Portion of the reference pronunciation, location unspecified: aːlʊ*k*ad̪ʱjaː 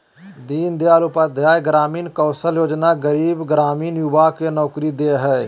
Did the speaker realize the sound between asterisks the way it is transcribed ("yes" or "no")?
no